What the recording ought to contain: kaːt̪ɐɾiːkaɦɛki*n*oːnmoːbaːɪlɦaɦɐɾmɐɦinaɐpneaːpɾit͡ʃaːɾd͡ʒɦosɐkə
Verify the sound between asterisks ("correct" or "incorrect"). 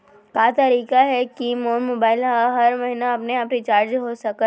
incorrect